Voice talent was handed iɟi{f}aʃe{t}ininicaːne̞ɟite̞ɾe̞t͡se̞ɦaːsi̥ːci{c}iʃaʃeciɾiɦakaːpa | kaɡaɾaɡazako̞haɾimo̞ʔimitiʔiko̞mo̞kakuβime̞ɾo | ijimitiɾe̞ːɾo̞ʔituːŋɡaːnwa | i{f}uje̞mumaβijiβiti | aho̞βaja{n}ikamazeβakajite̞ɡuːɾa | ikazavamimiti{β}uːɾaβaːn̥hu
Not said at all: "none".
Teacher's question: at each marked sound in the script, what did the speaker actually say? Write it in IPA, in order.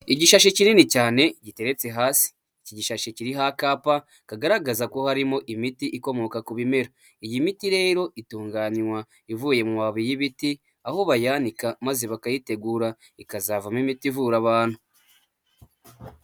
ʃ, c, ɟ, v, n, v

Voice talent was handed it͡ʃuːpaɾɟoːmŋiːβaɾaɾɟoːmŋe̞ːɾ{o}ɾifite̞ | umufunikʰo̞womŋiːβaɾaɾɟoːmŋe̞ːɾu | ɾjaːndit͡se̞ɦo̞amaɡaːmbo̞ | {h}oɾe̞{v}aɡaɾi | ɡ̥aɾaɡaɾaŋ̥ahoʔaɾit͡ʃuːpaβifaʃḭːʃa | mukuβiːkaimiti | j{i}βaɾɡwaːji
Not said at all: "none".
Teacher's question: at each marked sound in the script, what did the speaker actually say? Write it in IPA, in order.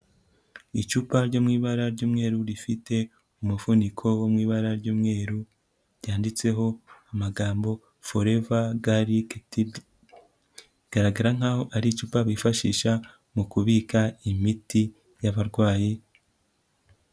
u, f, v, a

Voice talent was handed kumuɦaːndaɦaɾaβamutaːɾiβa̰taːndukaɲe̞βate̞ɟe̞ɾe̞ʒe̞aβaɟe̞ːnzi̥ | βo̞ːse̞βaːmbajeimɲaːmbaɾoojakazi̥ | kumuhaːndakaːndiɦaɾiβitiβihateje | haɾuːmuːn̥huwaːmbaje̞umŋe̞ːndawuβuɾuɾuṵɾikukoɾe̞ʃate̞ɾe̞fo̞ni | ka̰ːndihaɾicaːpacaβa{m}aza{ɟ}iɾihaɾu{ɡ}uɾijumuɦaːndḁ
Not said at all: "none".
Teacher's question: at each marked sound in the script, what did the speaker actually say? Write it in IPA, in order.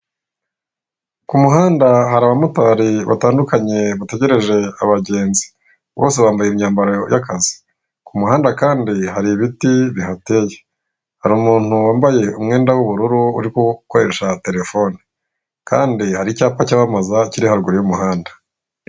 m, c, ɡ

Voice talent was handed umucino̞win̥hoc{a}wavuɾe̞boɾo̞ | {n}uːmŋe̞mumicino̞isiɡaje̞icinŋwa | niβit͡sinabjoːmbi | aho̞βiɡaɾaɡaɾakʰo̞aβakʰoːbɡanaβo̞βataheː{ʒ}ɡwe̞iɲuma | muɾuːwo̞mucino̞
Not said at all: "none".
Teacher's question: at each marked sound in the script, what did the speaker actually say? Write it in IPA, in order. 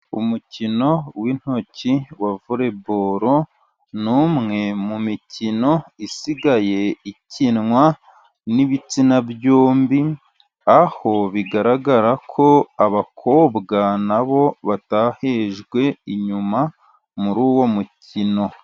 i, n, ʒ

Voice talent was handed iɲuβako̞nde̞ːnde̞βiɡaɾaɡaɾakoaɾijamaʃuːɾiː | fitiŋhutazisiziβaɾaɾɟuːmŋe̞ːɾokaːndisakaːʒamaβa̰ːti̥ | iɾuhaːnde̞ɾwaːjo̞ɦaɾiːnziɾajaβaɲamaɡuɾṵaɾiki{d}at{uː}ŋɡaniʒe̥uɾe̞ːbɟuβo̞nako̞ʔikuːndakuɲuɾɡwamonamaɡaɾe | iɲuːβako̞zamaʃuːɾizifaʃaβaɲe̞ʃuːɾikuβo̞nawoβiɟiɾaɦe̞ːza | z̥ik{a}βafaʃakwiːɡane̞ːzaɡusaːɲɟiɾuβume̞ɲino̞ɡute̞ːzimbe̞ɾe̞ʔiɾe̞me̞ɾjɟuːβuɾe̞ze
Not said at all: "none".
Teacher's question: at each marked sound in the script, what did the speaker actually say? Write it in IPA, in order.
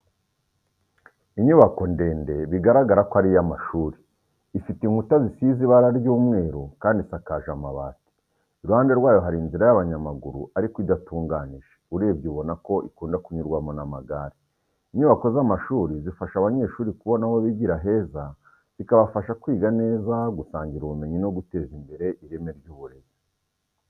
d, uː, a

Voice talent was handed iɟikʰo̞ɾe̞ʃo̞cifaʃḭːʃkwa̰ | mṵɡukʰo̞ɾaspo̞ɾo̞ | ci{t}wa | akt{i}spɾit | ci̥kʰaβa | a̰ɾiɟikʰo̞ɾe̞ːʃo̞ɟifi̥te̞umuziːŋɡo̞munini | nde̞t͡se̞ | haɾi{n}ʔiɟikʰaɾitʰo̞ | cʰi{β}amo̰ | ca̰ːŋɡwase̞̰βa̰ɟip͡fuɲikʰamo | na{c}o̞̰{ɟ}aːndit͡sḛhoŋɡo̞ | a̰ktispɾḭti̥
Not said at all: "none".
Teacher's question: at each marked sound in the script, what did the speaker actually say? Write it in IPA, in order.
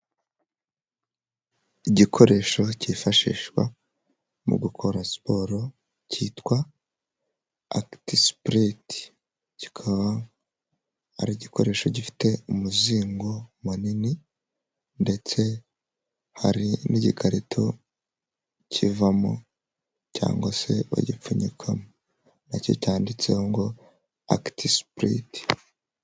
t, i, n, v, c, c

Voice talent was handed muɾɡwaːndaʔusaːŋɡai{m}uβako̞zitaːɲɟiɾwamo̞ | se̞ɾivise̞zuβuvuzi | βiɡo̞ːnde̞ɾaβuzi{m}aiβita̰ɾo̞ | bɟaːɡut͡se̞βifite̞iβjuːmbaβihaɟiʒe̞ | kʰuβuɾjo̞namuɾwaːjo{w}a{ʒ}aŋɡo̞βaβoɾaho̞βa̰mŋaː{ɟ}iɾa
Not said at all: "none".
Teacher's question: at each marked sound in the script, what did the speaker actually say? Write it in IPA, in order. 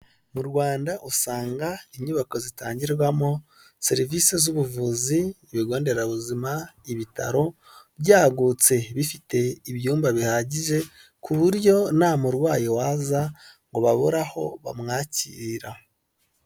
ɲ, m, w, z, c

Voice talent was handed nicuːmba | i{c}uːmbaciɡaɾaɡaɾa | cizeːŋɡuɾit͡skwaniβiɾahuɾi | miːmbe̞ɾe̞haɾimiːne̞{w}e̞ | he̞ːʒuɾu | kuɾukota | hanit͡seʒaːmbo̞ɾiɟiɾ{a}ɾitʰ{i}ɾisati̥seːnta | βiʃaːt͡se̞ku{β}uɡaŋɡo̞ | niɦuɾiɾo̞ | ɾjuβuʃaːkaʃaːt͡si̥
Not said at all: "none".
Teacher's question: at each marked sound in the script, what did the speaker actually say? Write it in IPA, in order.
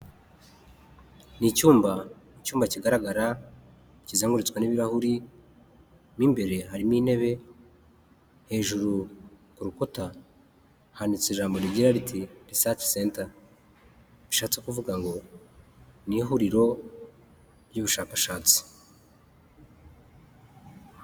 c, β, a, i, v

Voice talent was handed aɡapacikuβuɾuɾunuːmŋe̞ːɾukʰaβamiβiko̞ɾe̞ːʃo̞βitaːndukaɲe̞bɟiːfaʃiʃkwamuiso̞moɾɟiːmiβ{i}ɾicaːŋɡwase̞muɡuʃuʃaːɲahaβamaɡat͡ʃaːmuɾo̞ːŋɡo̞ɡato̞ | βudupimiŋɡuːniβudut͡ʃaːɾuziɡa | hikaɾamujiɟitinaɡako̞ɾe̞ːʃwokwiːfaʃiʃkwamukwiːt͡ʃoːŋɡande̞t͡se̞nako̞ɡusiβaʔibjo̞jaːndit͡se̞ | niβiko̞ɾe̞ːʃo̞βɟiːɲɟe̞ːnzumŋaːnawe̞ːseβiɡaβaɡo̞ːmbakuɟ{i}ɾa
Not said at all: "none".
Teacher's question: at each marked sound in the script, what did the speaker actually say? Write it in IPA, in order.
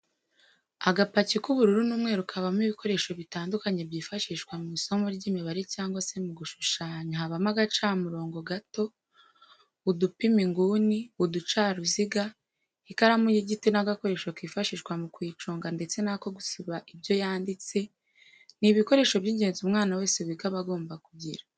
a, i

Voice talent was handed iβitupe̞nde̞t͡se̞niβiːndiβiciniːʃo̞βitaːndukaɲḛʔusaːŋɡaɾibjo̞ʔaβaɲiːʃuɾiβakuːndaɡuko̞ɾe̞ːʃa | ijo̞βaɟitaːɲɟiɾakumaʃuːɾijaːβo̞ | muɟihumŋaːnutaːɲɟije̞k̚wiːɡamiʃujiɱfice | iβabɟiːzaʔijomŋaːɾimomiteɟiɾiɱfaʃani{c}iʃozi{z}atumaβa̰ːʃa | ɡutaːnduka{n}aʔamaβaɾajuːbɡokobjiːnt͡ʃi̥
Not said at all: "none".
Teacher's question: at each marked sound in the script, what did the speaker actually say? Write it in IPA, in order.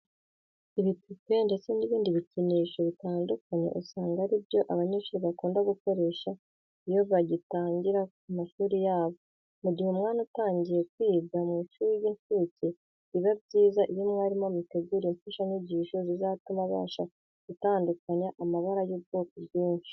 ɟ, z, ɲ

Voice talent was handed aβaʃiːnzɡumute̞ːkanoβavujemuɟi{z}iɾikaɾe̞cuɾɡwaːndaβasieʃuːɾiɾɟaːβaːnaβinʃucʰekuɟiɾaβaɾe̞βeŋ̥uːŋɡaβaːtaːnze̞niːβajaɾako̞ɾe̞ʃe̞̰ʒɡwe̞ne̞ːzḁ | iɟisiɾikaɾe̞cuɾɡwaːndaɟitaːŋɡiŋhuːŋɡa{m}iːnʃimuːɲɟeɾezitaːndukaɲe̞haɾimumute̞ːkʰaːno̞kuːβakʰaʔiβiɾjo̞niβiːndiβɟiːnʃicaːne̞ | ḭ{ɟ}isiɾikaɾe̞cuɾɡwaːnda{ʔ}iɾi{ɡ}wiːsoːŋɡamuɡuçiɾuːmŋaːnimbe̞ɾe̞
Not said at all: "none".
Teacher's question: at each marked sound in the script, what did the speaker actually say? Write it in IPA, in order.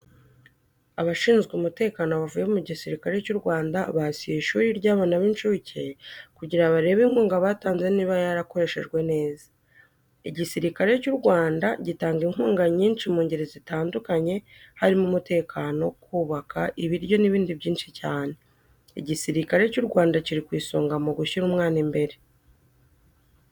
s, ɲ, ɟ, c, k

